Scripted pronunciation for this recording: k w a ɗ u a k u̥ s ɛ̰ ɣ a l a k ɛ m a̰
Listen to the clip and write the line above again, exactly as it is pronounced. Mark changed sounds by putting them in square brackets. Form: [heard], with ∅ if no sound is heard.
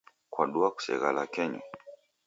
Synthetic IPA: k w a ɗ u a k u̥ s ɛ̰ ɣ a l a k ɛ [ɲ] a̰